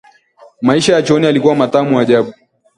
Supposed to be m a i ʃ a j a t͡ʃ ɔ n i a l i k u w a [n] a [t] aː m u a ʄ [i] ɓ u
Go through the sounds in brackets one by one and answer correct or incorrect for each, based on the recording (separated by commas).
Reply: incorrect, correct, incorrect